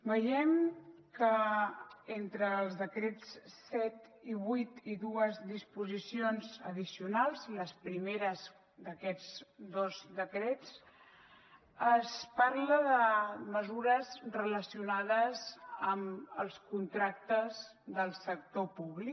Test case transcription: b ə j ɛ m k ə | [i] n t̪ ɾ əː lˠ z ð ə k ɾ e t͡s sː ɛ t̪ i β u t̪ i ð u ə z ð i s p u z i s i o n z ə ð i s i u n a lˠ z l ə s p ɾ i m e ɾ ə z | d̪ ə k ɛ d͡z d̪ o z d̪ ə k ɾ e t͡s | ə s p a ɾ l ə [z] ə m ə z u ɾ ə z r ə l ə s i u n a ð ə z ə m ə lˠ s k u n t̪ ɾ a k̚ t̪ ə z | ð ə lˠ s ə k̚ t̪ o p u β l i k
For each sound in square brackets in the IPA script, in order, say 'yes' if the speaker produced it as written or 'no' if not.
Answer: no, no

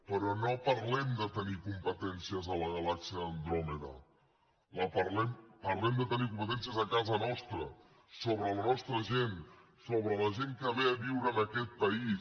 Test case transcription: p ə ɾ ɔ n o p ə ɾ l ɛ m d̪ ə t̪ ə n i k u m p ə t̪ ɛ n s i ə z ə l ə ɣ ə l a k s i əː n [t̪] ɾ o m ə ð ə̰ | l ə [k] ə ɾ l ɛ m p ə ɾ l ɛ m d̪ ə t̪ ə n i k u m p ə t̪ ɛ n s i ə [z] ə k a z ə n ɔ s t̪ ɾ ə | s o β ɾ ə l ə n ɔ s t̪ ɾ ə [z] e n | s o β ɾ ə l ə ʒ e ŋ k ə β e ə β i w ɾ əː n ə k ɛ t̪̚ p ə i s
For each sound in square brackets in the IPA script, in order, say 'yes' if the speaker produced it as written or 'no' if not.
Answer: no, no, yes, no

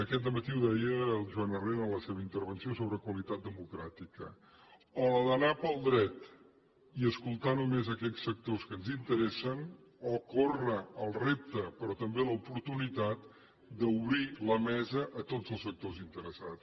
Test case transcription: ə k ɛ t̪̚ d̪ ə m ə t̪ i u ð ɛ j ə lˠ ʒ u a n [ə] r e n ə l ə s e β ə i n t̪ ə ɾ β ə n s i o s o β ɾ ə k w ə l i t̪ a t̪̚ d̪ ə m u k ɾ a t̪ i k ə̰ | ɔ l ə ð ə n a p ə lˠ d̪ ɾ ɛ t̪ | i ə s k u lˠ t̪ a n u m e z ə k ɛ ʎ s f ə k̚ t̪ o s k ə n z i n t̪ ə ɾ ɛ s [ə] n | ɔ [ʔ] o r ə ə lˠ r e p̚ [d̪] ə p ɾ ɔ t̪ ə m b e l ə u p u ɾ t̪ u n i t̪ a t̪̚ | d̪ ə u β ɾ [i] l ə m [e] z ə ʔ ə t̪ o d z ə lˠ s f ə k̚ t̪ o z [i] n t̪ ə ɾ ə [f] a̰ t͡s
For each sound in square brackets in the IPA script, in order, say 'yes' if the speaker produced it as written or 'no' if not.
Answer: yes, yes, no, no, yes, no, yes, no

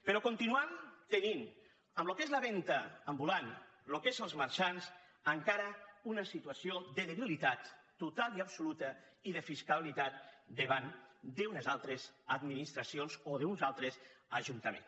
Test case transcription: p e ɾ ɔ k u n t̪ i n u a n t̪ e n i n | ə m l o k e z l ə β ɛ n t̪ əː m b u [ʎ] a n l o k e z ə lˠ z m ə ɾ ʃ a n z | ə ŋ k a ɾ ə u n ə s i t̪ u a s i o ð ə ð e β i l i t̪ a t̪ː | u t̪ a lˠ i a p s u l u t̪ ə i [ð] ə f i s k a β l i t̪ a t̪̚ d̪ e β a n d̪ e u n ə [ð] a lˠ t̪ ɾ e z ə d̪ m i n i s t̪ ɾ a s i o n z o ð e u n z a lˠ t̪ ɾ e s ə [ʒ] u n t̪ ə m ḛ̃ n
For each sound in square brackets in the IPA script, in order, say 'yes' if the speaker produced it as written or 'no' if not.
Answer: no, yes, no, yes

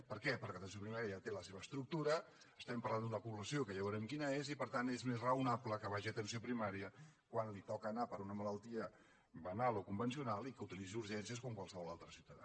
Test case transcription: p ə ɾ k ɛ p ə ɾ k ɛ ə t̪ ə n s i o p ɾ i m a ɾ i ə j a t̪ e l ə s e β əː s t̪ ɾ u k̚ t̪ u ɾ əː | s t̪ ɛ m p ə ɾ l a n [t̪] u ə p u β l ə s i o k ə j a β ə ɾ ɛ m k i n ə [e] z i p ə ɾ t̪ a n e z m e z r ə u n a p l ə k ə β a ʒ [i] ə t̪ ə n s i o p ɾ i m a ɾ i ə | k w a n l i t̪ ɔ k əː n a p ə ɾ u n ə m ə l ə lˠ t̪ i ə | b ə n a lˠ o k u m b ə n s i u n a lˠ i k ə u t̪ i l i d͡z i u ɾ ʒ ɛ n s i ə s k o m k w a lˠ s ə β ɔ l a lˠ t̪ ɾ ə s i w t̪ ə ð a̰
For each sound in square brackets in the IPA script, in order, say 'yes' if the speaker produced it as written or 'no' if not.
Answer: no, yes, yes

